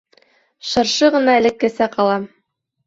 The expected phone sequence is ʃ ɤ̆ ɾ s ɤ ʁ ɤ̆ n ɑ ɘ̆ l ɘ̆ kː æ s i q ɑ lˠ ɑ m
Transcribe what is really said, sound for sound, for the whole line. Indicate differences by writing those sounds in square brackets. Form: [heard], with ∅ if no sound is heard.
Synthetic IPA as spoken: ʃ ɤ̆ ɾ [ʃ] ɤ ʁ ɤ̆ n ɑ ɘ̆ l ɘ̆ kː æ s [æ] q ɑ lˠ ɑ m